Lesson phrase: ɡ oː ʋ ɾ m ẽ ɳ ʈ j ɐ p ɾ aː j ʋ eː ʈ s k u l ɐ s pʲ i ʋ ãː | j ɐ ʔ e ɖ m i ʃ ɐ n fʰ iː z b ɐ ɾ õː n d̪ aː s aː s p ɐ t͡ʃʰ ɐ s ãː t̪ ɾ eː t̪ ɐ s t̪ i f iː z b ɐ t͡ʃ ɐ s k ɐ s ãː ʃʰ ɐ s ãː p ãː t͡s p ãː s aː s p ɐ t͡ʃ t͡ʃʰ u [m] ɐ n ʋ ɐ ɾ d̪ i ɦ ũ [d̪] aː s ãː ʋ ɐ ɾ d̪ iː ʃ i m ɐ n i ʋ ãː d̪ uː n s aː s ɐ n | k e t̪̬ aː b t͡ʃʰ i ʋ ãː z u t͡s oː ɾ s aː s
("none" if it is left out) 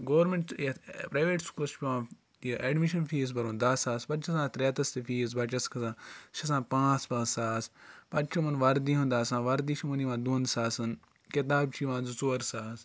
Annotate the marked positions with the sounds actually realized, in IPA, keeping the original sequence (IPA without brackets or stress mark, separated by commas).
m, d̪